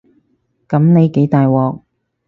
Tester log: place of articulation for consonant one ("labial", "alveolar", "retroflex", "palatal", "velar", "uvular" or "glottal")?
velar